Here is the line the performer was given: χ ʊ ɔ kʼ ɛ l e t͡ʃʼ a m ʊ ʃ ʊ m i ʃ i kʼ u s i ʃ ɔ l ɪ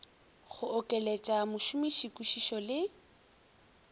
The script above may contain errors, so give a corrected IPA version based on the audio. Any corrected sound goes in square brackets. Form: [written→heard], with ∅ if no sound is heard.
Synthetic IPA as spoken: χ ʊ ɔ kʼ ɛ l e t͡ʃʼ a m ʊ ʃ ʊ m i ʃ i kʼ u [s→ʃ] i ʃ ɔ l ɪ